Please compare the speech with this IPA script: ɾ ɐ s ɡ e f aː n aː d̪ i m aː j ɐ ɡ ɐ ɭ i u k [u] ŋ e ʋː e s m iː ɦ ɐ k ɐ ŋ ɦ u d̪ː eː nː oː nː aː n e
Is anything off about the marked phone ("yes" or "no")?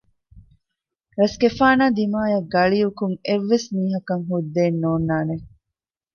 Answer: no